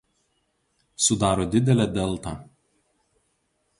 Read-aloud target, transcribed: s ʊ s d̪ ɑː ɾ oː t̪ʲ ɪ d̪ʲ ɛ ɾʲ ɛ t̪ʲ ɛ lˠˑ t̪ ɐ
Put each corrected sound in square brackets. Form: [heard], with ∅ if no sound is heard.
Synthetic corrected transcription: s ʊ [∅] d̪ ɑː ɾ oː [d̪ʲ] ɪ d̪ʲ ɛ [lʲ] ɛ [d̪ʲ] ɛ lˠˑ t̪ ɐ

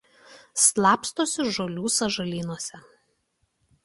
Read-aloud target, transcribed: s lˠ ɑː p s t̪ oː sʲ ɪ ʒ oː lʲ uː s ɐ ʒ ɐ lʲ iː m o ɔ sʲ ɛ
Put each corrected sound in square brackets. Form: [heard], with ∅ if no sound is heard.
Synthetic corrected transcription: s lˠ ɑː p s t̪ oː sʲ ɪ ʒ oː lʲ uː s ɐ ʒ ɐ lʲ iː [n] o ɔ sʲ ɛ

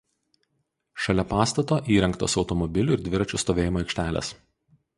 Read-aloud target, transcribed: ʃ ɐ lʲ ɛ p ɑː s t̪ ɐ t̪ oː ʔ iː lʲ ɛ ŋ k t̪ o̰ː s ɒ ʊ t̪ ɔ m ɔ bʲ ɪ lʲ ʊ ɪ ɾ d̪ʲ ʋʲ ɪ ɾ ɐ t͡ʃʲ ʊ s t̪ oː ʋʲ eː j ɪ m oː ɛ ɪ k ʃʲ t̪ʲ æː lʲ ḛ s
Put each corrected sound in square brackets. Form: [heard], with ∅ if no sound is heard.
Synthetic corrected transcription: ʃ ɐ lʲ ɛ p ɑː s t̪ ɐ t̪ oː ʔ iː [ɾʲ] ɛ ŋ k t̪ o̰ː s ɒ ʊ t̪ ɔ m ɔ bʲ ɪ lʲ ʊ ɪ ɾ d̪ʲ ʋʲ ɪ ɾ ɐ t͡ʃʲ ʊ s t̪ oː ʋʲ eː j ɪ m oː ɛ ɪ k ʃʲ t̪ʲ æː lʲ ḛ s

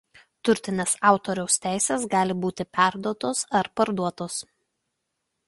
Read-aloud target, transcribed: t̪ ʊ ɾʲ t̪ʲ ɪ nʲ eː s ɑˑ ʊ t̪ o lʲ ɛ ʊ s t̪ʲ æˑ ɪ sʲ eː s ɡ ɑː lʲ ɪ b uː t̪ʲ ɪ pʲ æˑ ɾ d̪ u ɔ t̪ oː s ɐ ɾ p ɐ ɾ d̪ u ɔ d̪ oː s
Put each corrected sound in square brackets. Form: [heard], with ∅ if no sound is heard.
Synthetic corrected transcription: t̪ ʊ ɾʲ t̪ʲ ɪ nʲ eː s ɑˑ ʊ t̪ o [ɾʲ] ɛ ʊ s t̪ʲ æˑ ɪ sʲ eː s ɡ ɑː lʲ ɪ b uː t̪ʲ ɪ pʲ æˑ ɾ d̪ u ɔ t̪ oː s ɐ ɾ p ɐ ɾ d̪ u ɔ [t̪] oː s

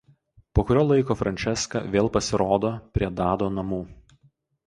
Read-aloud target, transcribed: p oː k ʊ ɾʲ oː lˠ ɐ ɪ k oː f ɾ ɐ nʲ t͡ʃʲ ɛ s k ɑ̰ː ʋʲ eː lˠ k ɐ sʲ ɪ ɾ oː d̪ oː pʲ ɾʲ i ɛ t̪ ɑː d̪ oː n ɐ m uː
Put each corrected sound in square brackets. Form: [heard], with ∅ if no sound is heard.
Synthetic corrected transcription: p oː k ʊ ɾʲ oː lˠ ɐ ɪ k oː f ɾ ɐ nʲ t͡ʃʲ ɛ s k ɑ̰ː ʋʲ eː lˠ [p] ɐ sʲ ɪ ɾ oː d̪ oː pʲ ɾʲ i ɛ [d̪] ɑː d̪ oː n ɐ m uː

